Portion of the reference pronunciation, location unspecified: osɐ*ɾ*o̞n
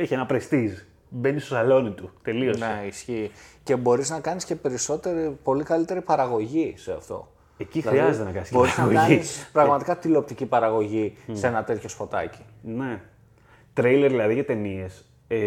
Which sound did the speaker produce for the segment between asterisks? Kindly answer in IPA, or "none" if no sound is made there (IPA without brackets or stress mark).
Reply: l